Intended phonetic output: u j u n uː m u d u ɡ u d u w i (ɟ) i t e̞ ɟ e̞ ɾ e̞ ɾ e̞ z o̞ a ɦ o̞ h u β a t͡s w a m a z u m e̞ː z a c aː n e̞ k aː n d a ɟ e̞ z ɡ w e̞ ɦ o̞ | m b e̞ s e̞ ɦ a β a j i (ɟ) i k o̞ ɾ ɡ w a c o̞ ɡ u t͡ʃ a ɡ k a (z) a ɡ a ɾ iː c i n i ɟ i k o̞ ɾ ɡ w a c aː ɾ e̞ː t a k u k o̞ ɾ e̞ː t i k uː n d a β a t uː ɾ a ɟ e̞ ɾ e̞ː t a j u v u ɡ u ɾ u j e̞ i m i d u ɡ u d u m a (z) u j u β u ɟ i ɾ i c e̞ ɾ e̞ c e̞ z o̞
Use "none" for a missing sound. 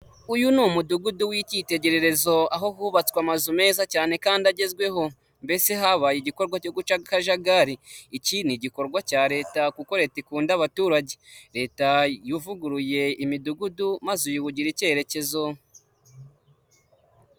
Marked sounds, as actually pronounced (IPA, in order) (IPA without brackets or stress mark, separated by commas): c, ɟ, ʒ, z